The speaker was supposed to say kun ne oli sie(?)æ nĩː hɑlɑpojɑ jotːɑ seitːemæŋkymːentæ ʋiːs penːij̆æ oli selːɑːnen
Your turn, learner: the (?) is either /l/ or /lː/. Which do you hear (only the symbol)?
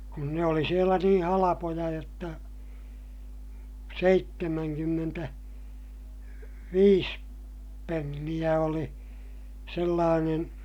l